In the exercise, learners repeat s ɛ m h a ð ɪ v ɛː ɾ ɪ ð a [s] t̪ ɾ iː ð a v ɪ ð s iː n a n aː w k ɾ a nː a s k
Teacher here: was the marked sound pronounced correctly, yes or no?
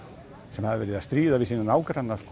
yes